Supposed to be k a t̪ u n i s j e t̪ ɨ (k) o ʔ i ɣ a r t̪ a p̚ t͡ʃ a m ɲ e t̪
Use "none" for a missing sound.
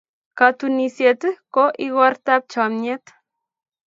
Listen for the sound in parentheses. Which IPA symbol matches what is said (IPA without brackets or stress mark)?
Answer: k